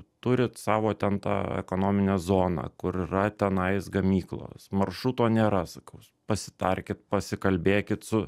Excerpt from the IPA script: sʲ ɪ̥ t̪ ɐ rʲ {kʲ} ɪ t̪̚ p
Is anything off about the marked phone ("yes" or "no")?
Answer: no